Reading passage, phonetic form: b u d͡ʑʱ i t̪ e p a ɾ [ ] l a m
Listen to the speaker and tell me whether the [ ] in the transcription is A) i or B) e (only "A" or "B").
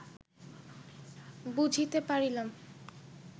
A